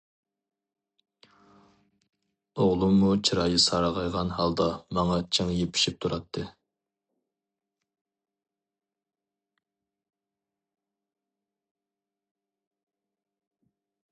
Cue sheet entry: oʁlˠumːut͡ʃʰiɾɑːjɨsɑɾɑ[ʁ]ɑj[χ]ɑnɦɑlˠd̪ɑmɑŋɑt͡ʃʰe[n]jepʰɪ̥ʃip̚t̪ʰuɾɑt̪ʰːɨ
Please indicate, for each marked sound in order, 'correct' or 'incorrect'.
correct, incorrect, incorrect

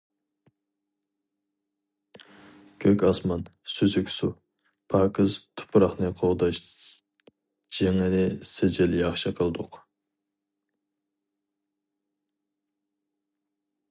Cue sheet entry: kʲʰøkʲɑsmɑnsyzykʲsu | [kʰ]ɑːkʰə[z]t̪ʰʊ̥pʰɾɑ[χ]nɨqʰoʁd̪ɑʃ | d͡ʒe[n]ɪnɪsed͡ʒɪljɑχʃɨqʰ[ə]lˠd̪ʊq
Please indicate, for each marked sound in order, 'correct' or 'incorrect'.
incorrect, correct, correct, incorrect, correct

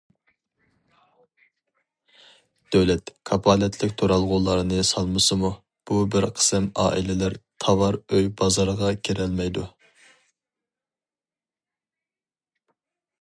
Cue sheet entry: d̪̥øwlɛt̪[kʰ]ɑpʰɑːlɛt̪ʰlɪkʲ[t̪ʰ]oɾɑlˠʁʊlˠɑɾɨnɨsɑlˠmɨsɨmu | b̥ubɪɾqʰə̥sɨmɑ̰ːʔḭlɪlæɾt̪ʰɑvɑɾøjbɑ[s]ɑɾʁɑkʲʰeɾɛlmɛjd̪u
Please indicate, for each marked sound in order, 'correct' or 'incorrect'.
correct, correct, incorrect

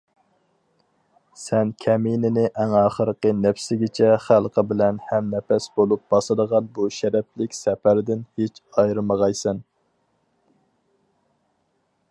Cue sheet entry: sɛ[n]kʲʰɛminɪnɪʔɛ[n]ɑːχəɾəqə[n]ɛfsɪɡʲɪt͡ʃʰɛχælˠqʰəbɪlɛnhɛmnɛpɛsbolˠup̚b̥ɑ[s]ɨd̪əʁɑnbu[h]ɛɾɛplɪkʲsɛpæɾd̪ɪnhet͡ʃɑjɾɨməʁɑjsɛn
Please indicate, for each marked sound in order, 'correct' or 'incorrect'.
correct, incorrect, correct, correct, incorrect

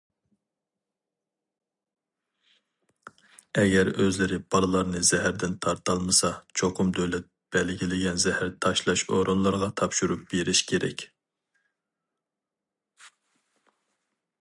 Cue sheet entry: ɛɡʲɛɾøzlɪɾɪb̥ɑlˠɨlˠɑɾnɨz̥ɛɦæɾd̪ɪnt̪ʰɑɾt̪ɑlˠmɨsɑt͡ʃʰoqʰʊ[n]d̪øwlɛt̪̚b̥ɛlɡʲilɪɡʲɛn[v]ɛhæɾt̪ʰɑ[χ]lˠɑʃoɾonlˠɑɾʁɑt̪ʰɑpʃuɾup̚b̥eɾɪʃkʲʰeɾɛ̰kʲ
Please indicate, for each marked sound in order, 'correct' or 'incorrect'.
incorrect, incorrect, incorrect

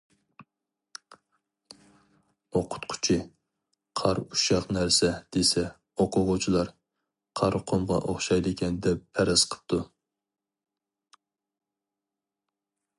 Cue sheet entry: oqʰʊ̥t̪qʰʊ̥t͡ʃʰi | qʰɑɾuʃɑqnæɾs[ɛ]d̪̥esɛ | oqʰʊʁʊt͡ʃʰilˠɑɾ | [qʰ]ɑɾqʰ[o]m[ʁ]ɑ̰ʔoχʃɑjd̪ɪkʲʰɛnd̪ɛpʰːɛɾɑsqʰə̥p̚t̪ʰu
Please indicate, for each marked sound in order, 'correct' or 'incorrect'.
correct, correct, correct, correct

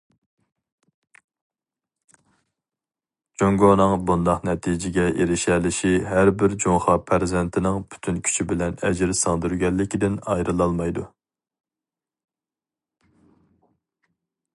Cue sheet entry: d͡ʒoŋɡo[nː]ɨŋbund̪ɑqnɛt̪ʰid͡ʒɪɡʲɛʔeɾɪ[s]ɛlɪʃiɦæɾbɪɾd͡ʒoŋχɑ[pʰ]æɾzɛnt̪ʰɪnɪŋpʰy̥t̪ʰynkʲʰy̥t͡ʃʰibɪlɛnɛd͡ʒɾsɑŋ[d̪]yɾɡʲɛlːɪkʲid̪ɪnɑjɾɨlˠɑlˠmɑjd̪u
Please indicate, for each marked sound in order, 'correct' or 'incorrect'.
incorrect, incorrect, correct, correct

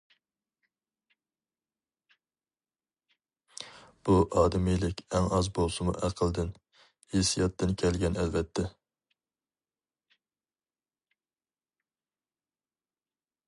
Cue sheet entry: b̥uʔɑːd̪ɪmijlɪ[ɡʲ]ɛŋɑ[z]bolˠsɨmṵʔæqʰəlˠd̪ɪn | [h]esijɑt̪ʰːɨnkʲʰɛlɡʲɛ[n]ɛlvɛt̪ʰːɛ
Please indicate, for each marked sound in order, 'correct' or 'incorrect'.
incorrect, correct, correct, correct

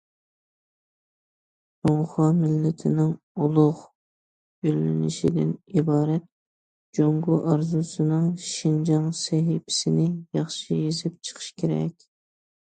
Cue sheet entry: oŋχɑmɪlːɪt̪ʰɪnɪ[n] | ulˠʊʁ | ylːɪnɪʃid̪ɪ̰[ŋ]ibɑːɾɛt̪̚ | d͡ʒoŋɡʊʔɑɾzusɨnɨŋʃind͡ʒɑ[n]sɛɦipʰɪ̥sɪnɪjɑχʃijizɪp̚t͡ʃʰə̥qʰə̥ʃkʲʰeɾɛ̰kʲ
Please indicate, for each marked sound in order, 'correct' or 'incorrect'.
incorrect, incorrect, incorrect

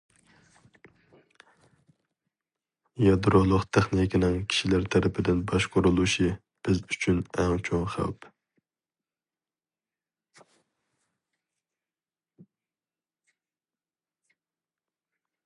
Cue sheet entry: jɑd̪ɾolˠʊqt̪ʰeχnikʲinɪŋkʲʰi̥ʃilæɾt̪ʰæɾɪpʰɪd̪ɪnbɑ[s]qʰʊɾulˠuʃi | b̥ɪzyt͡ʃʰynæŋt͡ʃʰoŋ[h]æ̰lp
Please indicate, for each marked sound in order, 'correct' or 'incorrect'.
incorrect, incorrect

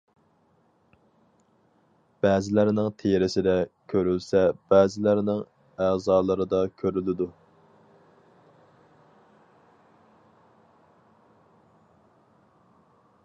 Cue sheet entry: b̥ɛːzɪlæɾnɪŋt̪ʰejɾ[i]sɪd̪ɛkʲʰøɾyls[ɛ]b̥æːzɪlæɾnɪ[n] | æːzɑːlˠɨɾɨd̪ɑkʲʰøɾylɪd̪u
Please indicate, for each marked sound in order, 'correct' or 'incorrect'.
incorrect, correct, incorrect

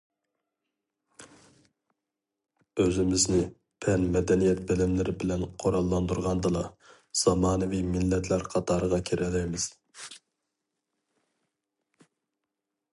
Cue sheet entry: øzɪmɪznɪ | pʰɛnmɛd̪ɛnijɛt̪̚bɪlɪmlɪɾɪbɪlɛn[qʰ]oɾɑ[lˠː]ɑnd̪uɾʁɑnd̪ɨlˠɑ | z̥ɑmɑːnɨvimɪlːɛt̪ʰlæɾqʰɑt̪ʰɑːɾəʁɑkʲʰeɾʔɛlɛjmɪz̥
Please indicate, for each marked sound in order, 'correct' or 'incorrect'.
correct, correct

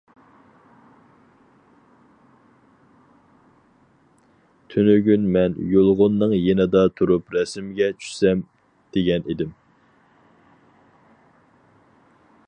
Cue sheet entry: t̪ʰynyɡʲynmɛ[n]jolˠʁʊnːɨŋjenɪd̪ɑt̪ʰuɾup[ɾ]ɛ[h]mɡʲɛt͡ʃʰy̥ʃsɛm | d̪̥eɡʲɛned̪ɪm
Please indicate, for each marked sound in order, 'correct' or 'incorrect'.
correct, correct, incorrect

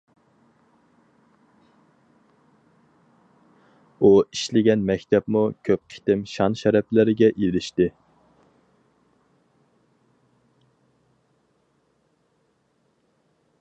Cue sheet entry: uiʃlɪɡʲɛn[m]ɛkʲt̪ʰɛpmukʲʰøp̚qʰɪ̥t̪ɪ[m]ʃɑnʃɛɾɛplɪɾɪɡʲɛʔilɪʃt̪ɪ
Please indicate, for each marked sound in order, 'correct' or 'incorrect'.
correct, correct

